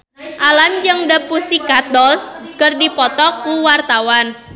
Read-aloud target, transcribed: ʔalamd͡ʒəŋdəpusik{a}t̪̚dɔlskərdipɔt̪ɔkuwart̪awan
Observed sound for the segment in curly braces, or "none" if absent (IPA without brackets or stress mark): a